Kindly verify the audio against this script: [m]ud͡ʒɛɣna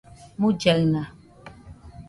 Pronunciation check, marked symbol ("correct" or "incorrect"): correct